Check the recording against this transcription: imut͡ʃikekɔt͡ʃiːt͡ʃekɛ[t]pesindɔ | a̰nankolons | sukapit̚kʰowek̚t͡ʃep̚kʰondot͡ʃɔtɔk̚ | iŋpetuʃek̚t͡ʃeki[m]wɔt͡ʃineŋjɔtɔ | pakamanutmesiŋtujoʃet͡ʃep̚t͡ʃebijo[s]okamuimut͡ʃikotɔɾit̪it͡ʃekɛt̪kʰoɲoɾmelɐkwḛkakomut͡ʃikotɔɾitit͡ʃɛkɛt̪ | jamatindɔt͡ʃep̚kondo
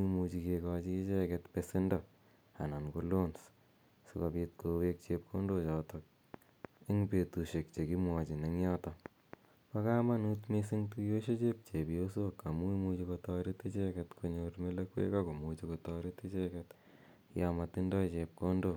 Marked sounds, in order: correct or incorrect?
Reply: correct, correct, correct

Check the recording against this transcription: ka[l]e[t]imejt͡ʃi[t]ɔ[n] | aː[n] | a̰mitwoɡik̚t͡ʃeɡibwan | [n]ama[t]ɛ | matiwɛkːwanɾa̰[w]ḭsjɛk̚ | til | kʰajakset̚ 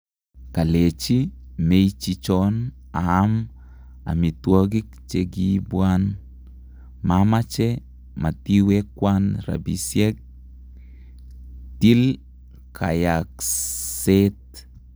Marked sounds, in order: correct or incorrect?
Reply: correct, incorrect: t͡ʃ, incorrect: t͡ʃ, correct, incorrect: m, incorrect: m, incorrect: t͡ʃ, incorrect: b

